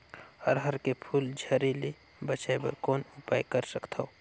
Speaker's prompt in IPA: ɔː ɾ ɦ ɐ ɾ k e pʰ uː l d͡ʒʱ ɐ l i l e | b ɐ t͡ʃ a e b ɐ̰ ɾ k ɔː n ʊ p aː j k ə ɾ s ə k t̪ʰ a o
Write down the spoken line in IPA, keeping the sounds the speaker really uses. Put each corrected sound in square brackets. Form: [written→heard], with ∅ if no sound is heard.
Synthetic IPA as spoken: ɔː ɾ ɦ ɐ ɾ k e pʰ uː l d͡ʒʱ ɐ [l→ɾ] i l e | b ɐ t͡ʃ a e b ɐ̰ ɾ k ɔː n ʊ p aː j k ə ɾ s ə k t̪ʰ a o